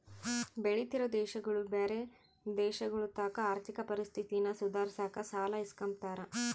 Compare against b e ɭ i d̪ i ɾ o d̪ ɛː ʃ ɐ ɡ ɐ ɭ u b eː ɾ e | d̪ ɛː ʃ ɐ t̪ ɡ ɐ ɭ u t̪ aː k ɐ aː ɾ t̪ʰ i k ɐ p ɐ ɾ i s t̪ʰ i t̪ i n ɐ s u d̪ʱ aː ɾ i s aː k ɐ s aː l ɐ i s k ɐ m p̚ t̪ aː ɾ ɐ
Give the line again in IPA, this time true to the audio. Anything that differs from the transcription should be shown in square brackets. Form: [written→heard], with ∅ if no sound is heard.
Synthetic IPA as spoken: b e ɭ i [d̪→t̪] i ɾ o d̪ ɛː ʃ ɐ ɡ ɐ ɭ u b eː ɾ e | d̪ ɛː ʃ ɐ [t̪→∅] ɡ ɐ ɭ u t̪ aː k ɐ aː ɾ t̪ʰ i k ɐ p ɐ ɾ i s t̪ʰ i t̪ i n ɐ s u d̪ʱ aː ɾ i s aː k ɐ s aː l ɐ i s k ɐ m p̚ t̪ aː ɾ ɐ

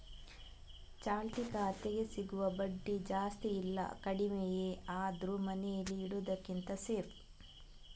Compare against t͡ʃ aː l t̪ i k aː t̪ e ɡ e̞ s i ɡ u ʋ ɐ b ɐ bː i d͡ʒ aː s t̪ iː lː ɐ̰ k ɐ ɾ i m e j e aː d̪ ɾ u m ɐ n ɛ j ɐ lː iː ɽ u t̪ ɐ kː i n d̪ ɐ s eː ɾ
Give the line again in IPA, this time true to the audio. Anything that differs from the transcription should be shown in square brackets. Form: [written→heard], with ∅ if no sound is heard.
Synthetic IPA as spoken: t͡ʃ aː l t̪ i k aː t̪ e ɡ e̞ s i ɡ u ʋ ɐ b ɐ [bː→ɖː] i d͡ʒ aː s t̪ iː lː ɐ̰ k ɐ [ɾ→ɽ] i m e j e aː d̪ ɾ u m ɐ n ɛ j ɐ lː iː ɽ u [t̪→d̪] ɐ kː i n [d̪→t̪] ɐ s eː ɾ

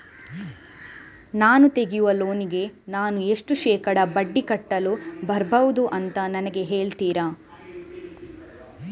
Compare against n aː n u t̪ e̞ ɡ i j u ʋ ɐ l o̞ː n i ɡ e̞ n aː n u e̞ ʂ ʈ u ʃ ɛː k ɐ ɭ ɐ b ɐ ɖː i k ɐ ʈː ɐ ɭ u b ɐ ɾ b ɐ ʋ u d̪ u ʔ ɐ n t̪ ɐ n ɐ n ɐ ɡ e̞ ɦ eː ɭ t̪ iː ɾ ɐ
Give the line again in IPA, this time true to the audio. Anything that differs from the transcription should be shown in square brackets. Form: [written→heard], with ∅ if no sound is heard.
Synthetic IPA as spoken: n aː n u t̪ e̞ ɡ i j u ʋ ɐ l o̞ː n i ɡ e̞ n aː n u e̞ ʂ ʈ u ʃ ɛː k ɐ [ɭ→ɽ] ɐ b ɐ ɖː i k ɐ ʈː ɐ [ɭ→l] u b ɐ ɾ b ɐ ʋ u d̪ u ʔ ɐ n t̪ ɐ n ɐ n ɐ ɡ e̞ ɦ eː ɭ t̪ iː ɾ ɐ

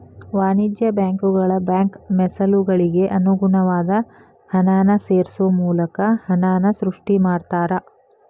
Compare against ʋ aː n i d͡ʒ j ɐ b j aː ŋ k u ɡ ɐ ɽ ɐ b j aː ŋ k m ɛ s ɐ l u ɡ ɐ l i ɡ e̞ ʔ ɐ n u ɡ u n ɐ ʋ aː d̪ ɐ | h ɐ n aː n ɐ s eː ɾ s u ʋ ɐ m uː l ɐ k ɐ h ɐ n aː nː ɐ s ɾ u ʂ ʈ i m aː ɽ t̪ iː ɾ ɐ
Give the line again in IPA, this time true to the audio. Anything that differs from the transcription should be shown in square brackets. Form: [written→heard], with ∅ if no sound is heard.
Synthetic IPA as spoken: ʋ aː n i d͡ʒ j ɐ b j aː ŋ k u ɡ ɐ [ɽ→ɭ] ɐ b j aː ŋ k m ɛ s ɐ l u ɡ ɐ [l→ɭ] i ɡ e̞ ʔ ɐ n u ɡ u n ɐ ʋ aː d̪ ɐ | h ɐ n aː n ɐ s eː ɾ s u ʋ ɐ m uː l ɐ k ɐ h ɐ n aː [nː→n] ɐ s ɾ u ʂ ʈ i m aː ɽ t̪ [iː→aː] ɾ ɐ

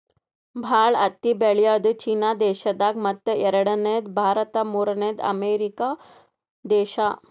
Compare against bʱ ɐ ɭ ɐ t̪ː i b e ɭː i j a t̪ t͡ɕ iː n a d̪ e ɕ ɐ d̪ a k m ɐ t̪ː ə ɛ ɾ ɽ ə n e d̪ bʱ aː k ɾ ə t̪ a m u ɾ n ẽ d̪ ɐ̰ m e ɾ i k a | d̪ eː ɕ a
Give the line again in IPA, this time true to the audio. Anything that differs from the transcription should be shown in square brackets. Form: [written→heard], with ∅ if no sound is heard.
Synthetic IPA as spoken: bʱ [ɐ→a] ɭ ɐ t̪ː i b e [ɭː→ɭ] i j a [t̪→d̪] t͡ɕ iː n a d̪ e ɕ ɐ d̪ a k m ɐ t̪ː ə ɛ ɾ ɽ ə n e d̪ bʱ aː [k→∅] ɾ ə t̪ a m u ɾ n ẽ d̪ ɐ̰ m e ɾ i k a | d̪ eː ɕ a

